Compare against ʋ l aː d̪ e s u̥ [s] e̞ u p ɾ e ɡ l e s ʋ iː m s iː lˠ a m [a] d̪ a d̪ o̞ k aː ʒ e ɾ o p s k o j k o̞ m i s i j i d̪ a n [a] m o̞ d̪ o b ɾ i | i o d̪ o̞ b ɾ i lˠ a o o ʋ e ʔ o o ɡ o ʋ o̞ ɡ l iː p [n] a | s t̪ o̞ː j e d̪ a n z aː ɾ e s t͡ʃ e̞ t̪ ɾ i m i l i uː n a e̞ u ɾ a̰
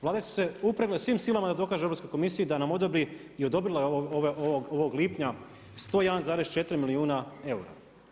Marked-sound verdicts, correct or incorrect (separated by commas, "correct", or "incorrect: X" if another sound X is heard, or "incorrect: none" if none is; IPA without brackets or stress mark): correct, correct, correct, incorrect: ɲ